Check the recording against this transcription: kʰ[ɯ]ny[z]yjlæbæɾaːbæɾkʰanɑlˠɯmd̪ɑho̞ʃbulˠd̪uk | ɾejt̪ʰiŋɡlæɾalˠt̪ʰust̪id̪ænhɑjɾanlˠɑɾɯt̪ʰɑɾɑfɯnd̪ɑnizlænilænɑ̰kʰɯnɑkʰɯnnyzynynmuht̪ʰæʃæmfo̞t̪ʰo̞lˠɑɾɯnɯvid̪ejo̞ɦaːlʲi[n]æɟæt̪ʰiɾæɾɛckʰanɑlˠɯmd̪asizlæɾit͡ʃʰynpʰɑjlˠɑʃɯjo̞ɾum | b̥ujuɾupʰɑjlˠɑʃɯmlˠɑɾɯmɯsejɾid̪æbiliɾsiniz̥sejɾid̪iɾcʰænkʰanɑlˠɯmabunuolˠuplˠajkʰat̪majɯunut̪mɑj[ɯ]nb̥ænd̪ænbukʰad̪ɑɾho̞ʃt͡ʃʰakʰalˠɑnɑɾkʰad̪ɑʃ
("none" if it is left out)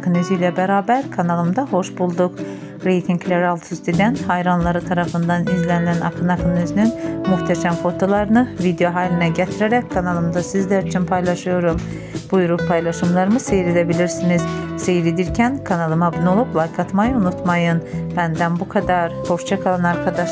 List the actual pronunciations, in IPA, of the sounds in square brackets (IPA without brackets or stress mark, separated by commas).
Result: ɯ, z, n, ɯ